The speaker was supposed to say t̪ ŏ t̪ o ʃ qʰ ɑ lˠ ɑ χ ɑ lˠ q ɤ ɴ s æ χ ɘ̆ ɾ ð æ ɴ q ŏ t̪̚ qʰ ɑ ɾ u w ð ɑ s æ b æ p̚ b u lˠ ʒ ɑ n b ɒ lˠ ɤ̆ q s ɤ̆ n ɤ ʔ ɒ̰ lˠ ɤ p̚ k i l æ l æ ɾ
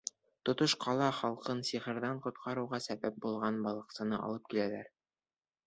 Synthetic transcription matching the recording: t̪ ŏ t̪ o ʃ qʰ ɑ lˠ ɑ χ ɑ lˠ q ɤ n s i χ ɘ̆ ɾ ð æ ɴ q ŏ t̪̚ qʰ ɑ ɾ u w ʁ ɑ s æ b æ p̚ b u lˠ ʁ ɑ n b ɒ lˠ ɤ̆ q s ɤ̆ n ɤ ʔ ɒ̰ lˠ ɤ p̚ k i l æ l æ ɾ